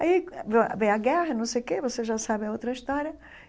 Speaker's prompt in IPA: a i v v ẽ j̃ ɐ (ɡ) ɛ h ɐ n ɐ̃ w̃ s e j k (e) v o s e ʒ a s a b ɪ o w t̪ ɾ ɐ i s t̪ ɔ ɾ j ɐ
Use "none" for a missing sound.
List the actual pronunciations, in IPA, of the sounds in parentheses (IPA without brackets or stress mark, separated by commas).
ɡ, e